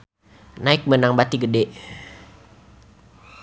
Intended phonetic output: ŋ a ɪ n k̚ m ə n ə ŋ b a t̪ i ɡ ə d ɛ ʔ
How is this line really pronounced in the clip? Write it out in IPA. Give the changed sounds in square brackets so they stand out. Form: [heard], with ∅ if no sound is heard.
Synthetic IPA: [n] a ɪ [∅] k̚ m ə n [a] ŋ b a t̪ i ɡ ə d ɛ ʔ